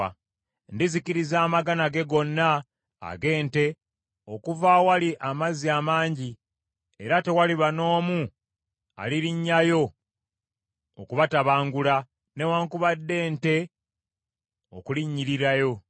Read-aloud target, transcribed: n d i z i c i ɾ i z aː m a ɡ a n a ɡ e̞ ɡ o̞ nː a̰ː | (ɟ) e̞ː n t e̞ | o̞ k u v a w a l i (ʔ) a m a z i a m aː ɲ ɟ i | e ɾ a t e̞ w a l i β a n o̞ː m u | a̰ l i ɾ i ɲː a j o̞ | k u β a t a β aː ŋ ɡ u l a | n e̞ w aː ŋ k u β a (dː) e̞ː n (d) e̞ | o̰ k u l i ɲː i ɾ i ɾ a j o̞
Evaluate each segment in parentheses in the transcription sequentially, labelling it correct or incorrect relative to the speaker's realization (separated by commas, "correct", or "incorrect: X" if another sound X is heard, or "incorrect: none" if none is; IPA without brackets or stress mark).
incorrect: ɡ, correct, correct, incorrect: t